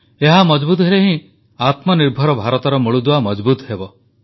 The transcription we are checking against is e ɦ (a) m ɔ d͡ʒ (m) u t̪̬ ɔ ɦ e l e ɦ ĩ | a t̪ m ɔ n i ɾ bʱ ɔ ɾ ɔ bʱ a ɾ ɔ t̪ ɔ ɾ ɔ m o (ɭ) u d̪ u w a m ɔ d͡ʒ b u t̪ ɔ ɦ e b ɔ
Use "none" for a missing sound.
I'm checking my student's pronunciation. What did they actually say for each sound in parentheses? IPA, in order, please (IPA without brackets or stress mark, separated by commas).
a, b, ɭ